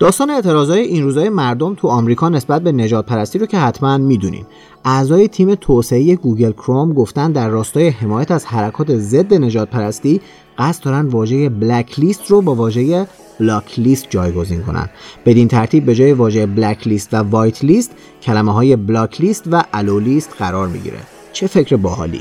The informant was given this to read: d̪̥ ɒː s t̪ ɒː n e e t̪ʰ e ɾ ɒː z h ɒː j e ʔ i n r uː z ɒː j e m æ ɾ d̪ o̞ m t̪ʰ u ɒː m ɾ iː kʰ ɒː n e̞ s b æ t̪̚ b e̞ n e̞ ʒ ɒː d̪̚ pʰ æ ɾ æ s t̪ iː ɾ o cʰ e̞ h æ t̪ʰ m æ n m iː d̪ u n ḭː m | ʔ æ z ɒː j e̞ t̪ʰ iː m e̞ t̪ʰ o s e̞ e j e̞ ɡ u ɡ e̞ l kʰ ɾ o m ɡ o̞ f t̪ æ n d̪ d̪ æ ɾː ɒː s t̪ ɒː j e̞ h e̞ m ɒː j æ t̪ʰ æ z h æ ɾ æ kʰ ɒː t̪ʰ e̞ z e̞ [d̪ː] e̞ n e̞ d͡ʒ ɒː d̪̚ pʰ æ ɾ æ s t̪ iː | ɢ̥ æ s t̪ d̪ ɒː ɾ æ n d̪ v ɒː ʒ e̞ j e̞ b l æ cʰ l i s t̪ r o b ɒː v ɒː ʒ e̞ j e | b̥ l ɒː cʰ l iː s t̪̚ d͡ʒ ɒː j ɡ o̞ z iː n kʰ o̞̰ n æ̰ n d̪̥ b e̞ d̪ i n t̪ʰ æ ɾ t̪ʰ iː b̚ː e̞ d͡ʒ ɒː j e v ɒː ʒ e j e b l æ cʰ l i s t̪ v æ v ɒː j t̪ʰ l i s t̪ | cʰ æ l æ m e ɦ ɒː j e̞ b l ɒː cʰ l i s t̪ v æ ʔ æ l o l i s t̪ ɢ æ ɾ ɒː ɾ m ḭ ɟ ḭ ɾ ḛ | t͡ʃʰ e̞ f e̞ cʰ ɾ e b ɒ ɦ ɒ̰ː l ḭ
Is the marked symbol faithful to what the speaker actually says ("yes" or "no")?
yes